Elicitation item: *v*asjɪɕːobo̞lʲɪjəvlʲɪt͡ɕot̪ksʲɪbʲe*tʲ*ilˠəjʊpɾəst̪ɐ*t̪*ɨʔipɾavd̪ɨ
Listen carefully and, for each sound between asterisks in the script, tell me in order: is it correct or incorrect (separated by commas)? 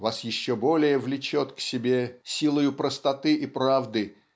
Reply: correct, incorrect, correct